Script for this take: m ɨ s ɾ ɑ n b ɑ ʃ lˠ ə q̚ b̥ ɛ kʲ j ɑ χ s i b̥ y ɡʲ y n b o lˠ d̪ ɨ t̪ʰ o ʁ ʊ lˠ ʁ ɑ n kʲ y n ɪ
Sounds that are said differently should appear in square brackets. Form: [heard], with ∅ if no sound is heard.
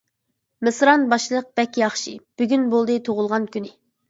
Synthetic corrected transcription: m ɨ s ɾ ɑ n b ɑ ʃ lˠ ə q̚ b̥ ɛ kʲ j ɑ χ [ʃ] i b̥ y ɡʲ y n b o lˠ d̪ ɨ t̪ʰ o ʁ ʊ lˠ ʁ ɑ n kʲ y n ɪ